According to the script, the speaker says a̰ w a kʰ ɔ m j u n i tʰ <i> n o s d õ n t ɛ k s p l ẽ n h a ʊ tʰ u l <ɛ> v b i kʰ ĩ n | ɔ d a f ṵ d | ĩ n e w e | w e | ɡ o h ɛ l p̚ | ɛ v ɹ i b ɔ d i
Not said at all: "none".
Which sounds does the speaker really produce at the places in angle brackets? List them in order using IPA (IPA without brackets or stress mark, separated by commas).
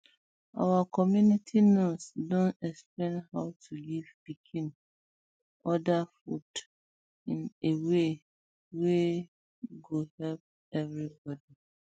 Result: i, i